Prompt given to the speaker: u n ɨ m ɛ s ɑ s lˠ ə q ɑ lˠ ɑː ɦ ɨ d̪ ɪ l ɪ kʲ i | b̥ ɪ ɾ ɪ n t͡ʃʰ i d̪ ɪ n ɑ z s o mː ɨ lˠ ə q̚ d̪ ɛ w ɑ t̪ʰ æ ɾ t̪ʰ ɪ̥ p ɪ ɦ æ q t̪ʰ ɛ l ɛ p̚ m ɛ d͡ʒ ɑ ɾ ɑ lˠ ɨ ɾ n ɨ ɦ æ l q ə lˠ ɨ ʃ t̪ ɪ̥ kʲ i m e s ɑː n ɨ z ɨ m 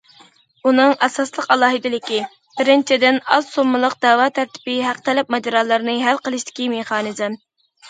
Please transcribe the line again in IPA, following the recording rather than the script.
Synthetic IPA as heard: u n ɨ ŋ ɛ s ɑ s lˠ ə q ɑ lˠ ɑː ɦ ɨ d̪ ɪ l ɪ kʲ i | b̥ ɪ ɾ ɪ n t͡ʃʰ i d̪ ɪ n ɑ z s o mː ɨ lˠ ə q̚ d̪ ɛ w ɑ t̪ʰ æ ɾ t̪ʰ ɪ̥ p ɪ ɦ æ q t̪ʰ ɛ l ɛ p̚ m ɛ d͡ʒ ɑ ɾ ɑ lˠ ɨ ɾ n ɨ ɦ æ l q ə lˠ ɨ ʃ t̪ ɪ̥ kʲ i m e χ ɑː n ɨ z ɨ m

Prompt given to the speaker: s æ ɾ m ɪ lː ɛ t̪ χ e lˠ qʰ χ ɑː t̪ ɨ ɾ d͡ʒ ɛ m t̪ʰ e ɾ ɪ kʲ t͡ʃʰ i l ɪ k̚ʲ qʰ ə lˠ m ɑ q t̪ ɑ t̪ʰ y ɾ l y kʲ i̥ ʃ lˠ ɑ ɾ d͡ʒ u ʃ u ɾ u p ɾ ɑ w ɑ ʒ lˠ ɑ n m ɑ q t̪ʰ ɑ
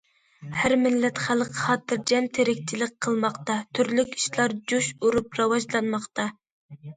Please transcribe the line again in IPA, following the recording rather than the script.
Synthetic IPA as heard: h æ ɾ m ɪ lː ɛ t̪ χ æ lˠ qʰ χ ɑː t̪ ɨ ɾ d͡ʒ ɛ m t̪ʰ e ɾ ɪ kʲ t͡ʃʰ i l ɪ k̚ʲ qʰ ə lˠ m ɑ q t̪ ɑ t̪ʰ y ɾ l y kʲ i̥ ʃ lˠ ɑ ɾ d͡ʒ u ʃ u ɾ u p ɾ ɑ w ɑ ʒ lˠ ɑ n m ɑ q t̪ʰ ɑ

